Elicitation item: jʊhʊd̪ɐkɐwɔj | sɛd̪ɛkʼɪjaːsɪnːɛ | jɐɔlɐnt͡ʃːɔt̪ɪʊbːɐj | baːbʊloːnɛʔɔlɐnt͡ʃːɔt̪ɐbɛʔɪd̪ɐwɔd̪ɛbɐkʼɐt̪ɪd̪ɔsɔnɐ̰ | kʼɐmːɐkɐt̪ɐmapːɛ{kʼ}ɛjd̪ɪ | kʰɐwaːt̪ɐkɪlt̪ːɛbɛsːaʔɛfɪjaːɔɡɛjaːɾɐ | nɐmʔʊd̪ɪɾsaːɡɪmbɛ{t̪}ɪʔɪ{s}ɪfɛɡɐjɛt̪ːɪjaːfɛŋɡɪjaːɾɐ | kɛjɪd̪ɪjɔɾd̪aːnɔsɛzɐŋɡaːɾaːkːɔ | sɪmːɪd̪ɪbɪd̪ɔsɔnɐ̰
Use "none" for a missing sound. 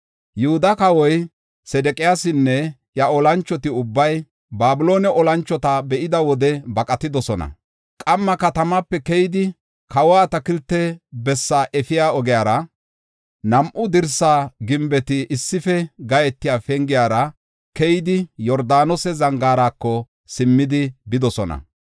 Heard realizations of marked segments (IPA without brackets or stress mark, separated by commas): k, t̪, sː